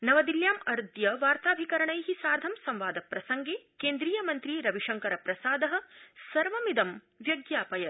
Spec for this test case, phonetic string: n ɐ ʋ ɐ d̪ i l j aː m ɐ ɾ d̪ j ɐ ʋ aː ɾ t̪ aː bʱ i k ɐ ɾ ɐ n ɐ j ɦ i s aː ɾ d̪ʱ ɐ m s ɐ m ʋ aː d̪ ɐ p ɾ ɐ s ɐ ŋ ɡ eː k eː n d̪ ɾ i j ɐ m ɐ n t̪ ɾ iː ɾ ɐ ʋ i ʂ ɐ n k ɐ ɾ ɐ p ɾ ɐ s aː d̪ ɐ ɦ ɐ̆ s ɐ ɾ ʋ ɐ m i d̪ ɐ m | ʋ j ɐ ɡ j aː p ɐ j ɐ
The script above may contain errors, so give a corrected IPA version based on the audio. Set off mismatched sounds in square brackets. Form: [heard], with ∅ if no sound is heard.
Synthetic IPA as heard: n ɐ ʋ ɐ d̪ i l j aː m ɐ ɾ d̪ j ɐ ʋ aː ɾ t̪ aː bʱ i k ɐ ɾ ɐ [ɳ] ɐ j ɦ i s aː ɾ d̪ʱ ɐ m s ɐ m ʋ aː d̪ ɐ p ɾ ɐ s ɐ ŋ ɡ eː k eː n d̪ ɾ [iː] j ɐ m ɐ n t̪ ɾ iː ɾ ɐ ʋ i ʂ ɐ [ŋ] k ɐ ɾ ɐ p ɾ ɐ s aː d̪ ɐ ɦ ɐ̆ s ɐ ɾ ʋ ɐ m i d̪ ɐ m | ʋ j ɐ ɡ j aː p ɐ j ɐ